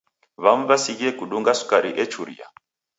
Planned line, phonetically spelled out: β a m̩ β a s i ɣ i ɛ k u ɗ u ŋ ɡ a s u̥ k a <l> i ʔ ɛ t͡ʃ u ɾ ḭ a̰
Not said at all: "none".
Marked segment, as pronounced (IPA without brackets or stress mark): ɾ